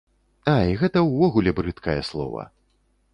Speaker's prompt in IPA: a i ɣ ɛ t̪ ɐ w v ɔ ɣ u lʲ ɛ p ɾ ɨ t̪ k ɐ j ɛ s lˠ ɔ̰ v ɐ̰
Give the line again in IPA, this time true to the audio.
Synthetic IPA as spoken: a i ɣ ɛ t̪ ɐ w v ɔ ɣ u lʲ ɛ b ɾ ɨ t̪ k ɐ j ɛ s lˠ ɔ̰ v ɐ̰